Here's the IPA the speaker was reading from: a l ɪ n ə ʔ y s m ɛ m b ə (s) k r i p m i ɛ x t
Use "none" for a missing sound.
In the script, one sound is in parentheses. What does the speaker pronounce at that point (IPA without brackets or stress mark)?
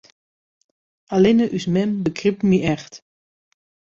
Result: none